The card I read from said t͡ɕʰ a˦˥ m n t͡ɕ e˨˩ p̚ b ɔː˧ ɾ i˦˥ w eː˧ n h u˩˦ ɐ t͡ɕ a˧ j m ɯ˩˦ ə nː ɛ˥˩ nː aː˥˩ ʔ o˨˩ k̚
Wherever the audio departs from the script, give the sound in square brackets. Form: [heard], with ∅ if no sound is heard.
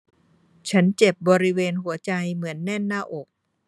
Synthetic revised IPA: t͡ɕʰ a˦˥ [∅] n t͡ɕ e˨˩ p̚ b ɔː˧ ɾ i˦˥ w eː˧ n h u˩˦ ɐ t͡ɕ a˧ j m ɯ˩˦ ə nː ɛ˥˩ nː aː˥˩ ʔ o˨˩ k̚

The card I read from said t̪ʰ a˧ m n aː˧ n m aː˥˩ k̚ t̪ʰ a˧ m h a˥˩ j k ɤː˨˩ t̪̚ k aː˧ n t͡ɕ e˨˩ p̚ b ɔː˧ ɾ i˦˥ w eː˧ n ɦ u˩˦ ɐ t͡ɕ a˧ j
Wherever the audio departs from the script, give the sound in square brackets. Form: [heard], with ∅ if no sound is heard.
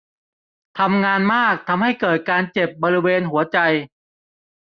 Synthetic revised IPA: t̪ʰ a˧ m [ŋ] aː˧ n m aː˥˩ k̚ t̪ʰ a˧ m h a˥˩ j k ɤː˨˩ t̪̚ k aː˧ n t͡ɕ e˨˩ p̚ b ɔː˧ ɾ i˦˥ w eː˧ n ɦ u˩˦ ɐ t͡ɕ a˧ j

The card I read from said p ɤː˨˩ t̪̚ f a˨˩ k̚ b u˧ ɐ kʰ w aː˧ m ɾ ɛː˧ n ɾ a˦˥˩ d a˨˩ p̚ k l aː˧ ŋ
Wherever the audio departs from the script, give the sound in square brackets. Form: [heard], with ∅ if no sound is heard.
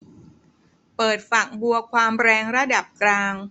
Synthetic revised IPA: p ɤː˨˩ t̪̚ f a˨˩ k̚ b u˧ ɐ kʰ w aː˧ m ɾ ɛː˧ [ŋ] ɾ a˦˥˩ d a˨˩ p̚ k l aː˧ ŋ

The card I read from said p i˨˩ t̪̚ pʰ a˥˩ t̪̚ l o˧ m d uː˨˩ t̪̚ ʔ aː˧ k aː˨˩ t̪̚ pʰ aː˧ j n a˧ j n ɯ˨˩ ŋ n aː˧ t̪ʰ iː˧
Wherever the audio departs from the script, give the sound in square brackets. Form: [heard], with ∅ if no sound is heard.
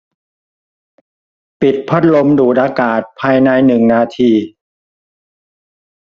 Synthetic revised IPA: p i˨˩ t̪̚ pʰ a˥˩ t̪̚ l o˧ m d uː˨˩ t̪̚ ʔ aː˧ k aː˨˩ t̪̚ pʰ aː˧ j n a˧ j n ɯ˨˩ ŋ n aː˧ t̪ʰ iː˧

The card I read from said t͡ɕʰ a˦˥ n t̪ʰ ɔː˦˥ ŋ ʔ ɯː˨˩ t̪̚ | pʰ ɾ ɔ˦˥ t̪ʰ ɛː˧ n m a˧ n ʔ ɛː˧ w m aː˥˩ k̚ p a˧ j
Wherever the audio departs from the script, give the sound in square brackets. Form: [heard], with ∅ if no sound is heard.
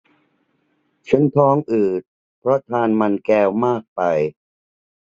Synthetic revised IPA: t͡ɕʰ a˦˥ n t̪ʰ ɔː˦˥ ŋ ʔ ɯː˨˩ t̪̚ | pʰ ɾ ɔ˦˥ t̪ʰ [aː˧] n m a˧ n [k] ɛː˧ w m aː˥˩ k̚ p a˧ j

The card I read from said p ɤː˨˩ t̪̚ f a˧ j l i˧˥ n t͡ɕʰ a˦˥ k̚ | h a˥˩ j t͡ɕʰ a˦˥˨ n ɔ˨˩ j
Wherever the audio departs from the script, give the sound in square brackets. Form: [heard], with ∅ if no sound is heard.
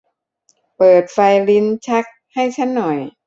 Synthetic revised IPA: p ɤː˨˩ t̪̚ f a˧ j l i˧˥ n t͡ɕʰ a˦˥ k̚ | h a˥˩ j t͡ɕʰ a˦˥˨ [nː] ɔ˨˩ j

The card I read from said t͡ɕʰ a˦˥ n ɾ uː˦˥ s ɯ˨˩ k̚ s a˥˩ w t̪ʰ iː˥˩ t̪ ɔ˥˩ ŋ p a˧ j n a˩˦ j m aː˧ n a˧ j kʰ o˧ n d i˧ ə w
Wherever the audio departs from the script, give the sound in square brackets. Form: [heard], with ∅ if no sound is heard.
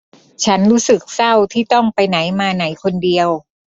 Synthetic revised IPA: t͡ɕʰ a˦˥ n ɾ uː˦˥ s ɯ˨˩ k̚ s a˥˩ w t̪ʰ iː˥˩ t̪ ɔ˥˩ ŋ p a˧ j n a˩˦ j m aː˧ n [a˩˦] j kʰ o˧ n d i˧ ə w

